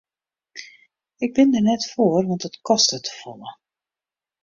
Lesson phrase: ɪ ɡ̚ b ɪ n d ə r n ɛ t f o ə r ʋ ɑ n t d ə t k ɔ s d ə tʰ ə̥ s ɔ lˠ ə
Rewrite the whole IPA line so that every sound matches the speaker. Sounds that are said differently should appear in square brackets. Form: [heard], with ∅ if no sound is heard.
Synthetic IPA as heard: ɪ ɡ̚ b ɪ n d ə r n ɛ t f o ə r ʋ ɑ n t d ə t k ɔ s [t] ə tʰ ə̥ [f] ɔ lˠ ə